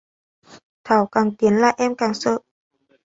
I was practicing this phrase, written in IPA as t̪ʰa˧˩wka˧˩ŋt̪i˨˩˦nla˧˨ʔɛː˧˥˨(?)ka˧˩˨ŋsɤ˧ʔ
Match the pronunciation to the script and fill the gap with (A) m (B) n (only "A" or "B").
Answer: A